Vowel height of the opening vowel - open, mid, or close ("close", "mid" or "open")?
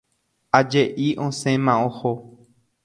open